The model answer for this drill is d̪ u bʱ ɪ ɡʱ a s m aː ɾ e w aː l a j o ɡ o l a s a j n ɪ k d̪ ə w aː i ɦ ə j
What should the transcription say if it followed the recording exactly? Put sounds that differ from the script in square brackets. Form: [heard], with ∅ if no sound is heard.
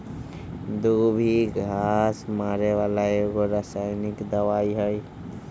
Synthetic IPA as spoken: d̪ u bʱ [i] ɡʱ a s m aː ɾ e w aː l a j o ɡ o [ɾ] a s a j n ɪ k d̪ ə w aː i ɦ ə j